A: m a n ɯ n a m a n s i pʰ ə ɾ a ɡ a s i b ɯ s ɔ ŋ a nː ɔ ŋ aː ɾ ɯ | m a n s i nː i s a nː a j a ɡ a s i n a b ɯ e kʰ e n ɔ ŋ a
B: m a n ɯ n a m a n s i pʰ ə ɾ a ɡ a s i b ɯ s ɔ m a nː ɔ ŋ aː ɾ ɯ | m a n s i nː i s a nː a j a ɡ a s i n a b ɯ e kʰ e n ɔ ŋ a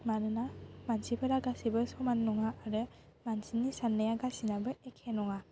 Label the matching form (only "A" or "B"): B